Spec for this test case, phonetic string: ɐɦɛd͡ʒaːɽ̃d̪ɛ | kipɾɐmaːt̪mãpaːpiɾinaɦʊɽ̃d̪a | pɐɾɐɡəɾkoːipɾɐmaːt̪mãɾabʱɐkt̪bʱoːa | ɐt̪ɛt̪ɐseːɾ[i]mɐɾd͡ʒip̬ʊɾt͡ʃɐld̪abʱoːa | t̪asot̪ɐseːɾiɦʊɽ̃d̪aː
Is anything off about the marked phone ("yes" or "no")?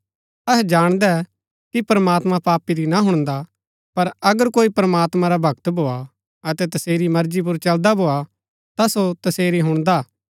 no